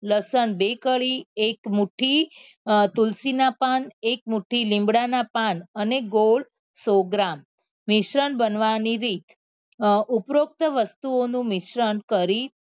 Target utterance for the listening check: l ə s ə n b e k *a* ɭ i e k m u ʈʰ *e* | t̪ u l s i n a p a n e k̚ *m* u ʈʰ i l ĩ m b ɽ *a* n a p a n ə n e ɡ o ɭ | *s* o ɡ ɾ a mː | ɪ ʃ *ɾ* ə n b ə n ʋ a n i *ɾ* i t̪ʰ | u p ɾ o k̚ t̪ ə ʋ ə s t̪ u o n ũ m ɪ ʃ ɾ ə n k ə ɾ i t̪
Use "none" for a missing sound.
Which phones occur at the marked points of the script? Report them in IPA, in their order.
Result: ə, i, m, a, s, ɾ, ɾ

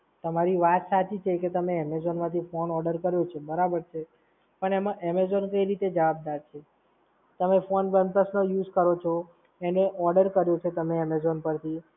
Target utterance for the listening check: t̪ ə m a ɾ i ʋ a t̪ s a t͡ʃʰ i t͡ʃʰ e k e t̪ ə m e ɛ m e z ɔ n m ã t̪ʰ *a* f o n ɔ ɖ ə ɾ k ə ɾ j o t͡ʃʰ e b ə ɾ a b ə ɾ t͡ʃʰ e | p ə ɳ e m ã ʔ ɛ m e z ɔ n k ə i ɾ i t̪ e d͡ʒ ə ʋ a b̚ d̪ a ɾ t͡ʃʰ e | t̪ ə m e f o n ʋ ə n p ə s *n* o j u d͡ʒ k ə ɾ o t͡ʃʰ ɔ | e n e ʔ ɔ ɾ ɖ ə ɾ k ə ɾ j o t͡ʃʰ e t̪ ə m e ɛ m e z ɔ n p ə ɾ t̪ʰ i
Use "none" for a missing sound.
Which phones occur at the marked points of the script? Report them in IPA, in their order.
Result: i, n

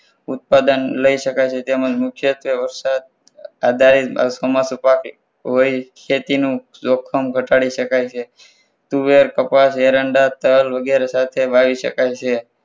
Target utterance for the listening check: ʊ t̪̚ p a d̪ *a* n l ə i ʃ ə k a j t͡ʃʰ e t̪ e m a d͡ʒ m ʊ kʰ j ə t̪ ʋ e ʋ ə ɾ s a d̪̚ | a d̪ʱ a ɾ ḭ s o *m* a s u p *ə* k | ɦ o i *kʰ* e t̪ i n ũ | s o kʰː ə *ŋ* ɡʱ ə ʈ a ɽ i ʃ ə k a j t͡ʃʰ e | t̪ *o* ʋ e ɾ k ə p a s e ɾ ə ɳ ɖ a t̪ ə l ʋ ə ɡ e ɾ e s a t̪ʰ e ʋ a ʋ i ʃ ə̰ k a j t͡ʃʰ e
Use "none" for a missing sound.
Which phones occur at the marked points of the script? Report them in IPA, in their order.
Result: ə, m, a, kʰ, m, u

